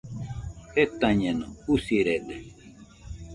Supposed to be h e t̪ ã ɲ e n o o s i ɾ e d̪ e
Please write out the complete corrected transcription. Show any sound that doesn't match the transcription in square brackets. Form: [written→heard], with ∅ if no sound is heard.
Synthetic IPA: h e t̪ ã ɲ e n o [o→u] s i ɾ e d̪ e